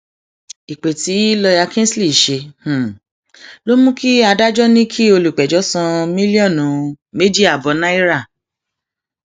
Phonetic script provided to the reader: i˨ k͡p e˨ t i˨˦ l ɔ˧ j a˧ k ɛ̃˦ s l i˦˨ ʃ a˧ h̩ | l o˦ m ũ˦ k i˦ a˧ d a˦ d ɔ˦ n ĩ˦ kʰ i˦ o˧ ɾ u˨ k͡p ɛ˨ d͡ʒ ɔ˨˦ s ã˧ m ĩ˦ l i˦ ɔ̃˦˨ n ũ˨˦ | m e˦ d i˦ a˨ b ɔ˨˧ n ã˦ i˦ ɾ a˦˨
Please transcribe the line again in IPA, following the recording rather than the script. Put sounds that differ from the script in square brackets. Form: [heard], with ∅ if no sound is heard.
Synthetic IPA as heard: i˨ k͡p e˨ t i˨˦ l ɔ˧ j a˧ k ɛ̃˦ s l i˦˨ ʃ [e˧] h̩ | l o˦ m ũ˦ k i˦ a˧ d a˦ [d͡ʒ] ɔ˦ n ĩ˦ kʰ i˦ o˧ [l] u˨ k͡p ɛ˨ d͡ʒ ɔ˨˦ s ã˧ m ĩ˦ l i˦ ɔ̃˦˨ n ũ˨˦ | m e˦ d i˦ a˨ b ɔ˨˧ n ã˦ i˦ ɾ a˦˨